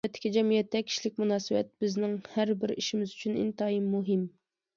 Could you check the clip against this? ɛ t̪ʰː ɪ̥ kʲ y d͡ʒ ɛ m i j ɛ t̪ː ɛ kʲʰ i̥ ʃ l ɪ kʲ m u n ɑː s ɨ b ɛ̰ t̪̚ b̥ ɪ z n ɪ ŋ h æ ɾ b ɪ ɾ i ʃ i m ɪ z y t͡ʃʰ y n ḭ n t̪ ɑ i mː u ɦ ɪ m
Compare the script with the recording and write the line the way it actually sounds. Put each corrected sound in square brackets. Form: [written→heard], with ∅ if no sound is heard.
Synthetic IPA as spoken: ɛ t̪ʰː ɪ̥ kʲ [y→i] d͡ʒ ɛ m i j ɛ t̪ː ɛ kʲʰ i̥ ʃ l ɪ kʲ m u n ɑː s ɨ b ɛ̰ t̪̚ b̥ ɪ z n ɪ ŋ h æ ɾ b ɪ ɾ i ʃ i m ɪ z y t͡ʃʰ y n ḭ n t̪ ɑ i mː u ɦ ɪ m